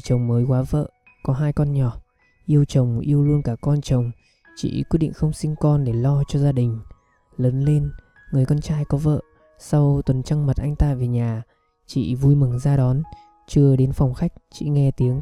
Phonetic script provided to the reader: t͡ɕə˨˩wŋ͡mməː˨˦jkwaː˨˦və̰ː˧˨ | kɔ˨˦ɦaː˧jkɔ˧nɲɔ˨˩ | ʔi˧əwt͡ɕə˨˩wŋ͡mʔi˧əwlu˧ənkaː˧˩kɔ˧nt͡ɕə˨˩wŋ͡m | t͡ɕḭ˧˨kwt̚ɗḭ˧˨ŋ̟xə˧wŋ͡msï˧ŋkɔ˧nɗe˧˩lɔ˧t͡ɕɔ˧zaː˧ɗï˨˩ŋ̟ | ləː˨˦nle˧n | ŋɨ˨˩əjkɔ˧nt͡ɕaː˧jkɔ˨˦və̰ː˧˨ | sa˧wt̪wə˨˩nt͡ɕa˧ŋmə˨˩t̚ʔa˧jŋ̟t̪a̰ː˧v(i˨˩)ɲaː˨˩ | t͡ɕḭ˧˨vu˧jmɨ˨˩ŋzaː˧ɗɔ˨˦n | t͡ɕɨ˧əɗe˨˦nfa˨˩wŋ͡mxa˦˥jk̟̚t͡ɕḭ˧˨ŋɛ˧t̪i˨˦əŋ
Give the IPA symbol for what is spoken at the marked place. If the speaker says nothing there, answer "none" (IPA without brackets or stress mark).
e˨˩